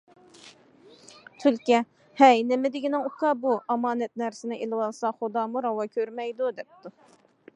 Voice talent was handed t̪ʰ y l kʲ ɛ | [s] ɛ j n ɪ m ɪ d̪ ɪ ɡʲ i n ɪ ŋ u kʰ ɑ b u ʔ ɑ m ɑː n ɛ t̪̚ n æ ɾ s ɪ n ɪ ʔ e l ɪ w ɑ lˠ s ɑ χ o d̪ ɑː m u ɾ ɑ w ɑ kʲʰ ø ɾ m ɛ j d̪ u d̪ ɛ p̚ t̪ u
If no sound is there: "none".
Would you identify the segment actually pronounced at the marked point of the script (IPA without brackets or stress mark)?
h